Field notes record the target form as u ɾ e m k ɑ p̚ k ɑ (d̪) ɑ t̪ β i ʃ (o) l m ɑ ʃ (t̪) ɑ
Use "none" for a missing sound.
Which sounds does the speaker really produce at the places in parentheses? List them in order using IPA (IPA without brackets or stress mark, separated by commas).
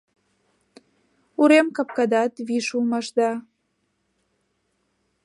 d̪, u, d̪